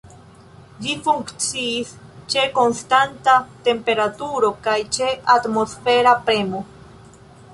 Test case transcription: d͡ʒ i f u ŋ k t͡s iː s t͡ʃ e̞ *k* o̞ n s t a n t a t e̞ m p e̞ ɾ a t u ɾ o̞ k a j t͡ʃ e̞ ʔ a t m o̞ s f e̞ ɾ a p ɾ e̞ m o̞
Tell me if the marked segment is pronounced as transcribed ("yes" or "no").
yes